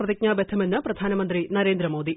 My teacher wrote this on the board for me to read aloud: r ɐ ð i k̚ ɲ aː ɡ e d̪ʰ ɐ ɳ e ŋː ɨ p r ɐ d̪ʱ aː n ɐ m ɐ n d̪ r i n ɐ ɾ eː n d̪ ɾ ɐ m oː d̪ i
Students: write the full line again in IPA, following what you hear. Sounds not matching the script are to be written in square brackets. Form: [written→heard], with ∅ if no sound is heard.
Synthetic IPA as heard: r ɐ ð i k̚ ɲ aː [ɡ→b] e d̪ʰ ɐ [ɳ→m] e [ŋː→nː] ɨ p r ɐ d̪ʱ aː n ɐ m ɐ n d̪ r i n ɐ ɾ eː n d̪ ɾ ɐ m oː d̪ i